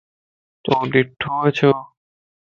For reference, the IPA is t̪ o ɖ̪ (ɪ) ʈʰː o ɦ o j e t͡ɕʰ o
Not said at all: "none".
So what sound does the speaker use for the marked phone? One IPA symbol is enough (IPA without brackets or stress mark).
i